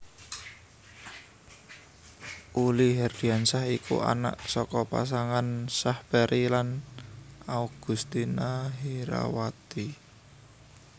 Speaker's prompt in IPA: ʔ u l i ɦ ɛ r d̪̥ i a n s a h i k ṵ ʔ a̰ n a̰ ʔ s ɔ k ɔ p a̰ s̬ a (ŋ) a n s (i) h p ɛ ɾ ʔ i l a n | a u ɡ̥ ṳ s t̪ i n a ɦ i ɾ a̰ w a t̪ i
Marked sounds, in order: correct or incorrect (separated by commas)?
correct, incorrect